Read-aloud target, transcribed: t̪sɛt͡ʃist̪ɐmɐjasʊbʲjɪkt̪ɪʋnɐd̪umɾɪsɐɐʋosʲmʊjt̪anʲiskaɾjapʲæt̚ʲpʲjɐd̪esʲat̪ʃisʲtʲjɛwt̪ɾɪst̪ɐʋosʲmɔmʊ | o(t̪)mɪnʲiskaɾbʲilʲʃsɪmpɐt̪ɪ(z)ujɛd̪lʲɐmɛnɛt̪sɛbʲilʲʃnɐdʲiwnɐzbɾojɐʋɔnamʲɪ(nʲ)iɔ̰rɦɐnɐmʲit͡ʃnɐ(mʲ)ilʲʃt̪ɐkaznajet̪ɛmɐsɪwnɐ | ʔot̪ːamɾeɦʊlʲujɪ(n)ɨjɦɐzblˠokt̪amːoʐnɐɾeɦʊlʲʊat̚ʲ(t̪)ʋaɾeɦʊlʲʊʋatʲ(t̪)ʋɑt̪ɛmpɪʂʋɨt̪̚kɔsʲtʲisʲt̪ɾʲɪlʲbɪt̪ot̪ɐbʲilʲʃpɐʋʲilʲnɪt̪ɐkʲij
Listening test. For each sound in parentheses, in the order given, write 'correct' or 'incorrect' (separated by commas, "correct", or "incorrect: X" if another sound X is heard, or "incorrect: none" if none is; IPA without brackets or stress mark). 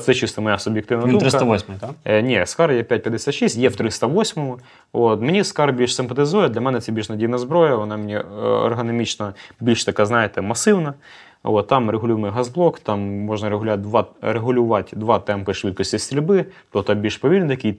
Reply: correct, correct, correct, incorrect: bʲ, incorrect: m, incorrect: d̪, incorrect: d̪